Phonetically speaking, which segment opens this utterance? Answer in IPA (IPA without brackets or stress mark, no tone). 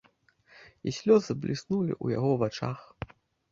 i